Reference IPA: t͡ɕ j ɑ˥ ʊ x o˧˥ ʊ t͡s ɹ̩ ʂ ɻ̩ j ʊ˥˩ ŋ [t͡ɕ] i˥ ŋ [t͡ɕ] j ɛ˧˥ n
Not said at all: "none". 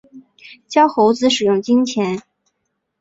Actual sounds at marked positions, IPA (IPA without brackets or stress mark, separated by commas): t͡ɕ, t͡ɕʰ